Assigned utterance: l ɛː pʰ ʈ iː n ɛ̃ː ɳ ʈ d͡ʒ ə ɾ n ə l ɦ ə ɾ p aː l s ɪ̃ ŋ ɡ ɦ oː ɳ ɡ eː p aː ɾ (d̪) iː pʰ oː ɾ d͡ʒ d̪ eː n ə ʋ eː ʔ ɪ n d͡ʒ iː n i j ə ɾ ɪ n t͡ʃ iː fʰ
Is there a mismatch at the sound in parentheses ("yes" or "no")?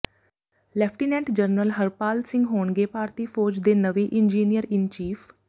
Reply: yes